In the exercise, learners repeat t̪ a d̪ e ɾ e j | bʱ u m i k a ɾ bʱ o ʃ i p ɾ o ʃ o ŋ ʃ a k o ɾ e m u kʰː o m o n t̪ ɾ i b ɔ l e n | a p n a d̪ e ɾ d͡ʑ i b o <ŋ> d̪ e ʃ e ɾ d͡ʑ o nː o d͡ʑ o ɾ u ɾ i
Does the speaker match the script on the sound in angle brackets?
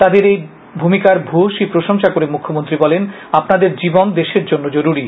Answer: no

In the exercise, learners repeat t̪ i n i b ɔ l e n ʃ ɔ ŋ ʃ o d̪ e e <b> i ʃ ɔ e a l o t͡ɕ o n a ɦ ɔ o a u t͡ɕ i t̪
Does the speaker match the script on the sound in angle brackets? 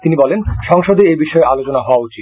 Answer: yes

